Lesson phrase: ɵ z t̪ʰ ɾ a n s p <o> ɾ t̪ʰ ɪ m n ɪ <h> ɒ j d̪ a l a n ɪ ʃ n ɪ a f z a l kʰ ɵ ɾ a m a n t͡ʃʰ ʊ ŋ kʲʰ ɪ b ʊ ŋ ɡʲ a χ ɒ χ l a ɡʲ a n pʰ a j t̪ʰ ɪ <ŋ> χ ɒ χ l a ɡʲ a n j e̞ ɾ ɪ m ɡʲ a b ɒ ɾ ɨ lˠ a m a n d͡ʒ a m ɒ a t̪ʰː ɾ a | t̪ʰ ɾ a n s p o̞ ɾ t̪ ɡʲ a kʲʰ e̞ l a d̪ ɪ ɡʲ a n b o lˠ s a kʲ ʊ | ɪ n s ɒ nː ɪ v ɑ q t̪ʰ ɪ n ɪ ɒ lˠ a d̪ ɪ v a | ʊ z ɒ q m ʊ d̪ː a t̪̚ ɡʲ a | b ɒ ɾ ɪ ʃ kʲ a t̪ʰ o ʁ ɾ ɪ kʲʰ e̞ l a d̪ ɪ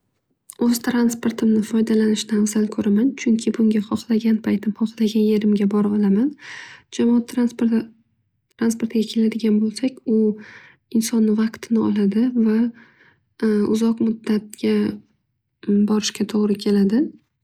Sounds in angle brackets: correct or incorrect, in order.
correct, incorrect: f, incorrect: m

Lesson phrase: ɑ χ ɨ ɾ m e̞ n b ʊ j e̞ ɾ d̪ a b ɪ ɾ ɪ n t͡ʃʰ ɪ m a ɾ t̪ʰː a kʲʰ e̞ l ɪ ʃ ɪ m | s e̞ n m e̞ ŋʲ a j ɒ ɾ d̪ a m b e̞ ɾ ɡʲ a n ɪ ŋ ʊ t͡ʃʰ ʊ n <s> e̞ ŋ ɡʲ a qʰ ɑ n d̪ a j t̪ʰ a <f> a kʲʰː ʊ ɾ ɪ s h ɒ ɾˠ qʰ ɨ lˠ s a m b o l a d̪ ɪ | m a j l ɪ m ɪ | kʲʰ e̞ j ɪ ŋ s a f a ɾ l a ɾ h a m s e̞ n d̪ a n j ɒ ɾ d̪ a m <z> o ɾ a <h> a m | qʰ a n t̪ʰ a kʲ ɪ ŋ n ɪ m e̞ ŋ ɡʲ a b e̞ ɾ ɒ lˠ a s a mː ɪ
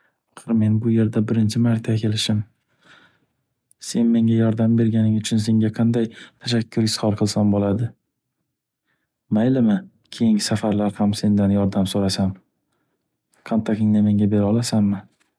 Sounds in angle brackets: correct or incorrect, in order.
correct, incorrect: ʃ, incorrect: s, incorrect: s

